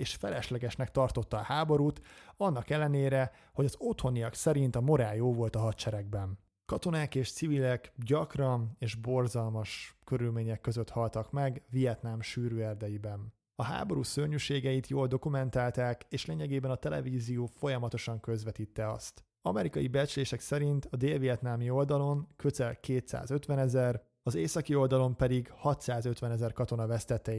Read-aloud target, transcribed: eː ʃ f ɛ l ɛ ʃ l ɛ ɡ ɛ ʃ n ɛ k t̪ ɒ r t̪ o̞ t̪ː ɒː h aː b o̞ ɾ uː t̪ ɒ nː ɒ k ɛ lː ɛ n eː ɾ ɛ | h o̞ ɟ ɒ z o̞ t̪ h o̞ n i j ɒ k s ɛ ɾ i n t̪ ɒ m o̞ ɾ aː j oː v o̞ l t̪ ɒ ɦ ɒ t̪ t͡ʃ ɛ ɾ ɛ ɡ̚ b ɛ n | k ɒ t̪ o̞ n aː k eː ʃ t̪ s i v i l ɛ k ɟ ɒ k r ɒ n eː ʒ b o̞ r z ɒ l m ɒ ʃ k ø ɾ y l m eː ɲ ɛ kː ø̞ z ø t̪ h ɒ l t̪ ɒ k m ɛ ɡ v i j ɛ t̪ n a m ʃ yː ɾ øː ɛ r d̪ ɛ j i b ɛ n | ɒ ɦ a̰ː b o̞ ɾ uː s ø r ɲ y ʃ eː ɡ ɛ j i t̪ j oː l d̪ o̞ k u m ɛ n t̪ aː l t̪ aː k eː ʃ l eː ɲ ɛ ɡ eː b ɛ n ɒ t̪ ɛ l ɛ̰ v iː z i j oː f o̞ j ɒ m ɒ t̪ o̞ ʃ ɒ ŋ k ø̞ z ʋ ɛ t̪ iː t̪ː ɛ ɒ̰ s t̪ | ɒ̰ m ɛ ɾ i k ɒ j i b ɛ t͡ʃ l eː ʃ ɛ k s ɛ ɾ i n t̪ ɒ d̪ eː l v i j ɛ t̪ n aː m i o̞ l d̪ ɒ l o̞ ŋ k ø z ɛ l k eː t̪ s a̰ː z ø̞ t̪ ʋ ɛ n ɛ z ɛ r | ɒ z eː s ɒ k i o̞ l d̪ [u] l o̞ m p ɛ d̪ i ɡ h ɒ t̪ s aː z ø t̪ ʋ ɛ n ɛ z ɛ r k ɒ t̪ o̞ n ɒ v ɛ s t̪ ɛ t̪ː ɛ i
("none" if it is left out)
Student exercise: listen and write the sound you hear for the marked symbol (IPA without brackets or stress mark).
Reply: ɒ